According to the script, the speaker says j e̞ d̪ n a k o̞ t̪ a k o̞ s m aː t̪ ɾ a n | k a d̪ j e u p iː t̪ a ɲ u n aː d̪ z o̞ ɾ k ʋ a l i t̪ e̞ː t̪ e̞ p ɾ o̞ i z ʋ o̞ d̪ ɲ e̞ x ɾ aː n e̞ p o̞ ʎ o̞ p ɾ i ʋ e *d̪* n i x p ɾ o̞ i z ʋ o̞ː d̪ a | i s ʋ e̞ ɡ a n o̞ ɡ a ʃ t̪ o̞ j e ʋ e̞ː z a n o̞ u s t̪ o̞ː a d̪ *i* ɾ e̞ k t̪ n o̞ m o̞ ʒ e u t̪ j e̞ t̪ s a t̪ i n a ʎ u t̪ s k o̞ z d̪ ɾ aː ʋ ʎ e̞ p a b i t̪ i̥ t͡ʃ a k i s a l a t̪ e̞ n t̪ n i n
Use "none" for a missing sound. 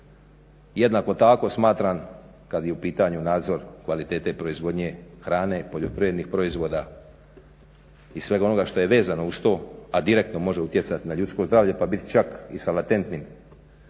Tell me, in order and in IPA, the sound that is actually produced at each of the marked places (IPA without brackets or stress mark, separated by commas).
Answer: d̪, i